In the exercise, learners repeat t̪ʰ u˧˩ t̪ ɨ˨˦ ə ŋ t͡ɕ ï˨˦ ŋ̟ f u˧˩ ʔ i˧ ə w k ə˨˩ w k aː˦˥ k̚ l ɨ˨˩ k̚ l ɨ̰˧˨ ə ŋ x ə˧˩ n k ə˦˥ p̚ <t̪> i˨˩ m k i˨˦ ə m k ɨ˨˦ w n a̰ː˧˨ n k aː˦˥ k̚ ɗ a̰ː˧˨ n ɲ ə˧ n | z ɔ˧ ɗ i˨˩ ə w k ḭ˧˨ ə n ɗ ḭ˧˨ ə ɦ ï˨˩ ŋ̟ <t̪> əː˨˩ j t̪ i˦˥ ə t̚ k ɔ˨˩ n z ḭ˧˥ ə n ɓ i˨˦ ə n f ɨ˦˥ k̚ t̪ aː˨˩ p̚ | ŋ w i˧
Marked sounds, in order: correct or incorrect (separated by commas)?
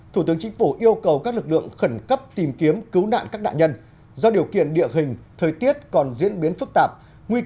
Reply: correct, incorrect